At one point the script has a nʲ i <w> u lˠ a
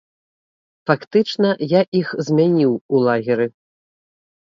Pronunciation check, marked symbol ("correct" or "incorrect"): correct